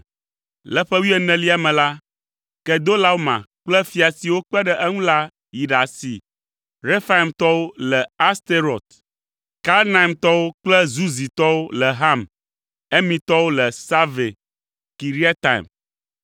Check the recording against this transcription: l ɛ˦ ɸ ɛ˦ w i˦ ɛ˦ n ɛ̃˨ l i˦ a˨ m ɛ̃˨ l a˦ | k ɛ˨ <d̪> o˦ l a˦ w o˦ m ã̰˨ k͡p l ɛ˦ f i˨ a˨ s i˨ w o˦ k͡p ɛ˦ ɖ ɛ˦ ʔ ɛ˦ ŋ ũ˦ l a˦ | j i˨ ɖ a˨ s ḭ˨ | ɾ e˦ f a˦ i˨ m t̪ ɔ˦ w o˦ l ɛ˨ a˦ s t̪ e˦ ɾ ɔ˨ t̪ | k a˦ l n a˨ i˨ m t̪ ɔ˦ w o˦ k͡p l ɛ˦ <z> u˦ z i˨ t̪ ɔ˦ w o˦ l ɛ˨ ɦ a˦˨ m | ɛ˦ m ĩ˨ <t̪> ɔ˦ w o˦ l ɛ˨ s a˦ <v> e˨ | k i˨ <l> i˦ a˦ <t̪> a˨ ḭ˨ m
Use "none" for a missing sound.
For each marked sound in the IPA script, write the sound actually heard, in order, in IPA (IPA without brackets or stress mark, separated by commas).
d̪, z, t̪, v, ɾ, t̪